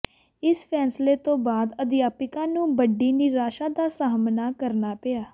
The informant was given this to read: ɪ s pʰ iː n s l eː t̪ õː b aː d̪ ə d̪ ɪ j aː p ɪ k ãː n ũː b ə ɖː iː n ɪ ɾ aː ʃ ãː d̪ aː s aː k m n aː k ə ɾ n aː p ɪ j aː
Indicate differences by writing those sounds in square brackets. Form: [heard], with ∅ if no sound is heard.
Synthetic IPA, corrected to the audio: ɪ s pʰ [ɛː] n s l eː t̪ õː b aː d̪ ə d̪ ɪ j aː p ɪ k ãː n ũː b ə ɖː iː n ɪ ɾ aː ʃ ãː d̪ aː s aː [∅] m n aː k ə ɾ n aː p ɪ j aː